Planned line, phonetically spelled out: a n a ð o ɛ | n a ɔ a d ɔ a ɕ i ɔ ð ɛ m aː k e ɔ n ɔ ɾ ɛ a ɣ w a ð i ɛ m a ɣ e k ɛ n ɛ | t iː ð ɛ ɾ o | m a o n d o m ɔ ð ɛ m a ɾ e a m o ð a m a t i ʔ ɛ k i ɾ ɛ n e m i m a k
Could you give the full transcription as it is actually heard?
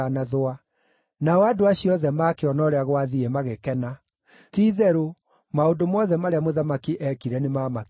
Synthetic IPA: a n a ð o a | n a ɔ a d o a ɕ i ɔ ð ɛ m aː k e ɔ n ɔ ɾ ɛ a ɣ w a ð i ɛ m a ɣ e k ɛ n a | t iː ð ɛ ɾ o | m a o n d o m ɔ ð ɛ m a ɾ e a m o ð a m a k i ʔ ɛ k i ɾ ɛ n e m a m a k